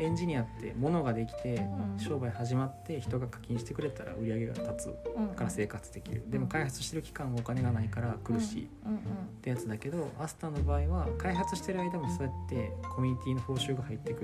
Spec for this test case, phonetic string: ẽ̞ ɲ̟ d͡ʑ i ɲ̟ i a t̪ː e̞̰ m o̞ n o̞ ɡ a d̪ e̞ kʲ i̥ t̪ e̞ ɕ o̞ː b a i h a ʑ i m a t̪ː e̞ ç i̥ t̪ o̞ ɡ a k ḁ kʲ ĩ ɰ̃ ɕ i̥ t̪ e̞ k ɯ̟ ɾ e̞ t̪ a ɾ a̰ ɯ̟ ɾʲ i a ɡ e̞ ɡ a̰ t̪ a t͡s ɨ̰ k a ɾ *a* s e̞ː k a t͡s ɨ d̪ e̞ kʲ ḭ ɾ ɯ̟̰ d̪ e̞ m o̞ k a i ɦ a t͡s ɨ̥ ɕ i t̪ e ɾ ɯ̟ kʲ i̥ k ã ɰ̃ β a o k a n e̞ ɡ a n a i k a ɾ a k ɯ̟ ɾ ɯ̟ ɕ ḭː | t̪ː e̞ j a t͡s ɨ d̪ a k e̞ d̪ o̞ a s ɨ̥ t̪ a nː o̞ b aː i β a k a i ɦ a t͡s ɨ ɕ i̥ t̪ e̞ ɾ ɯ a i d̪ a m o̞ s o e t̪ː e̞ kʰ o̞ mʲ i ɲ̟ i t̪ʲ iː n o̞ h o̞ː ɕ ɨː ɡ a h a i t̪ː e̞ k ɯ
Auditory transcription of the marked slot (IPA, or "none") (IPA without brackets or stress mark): a